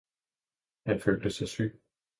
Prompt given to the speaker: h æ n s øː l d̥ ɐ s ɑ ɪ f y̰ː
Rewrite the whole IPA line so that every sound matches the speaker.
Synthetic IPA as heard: h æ n f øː l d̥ ə s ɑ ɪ s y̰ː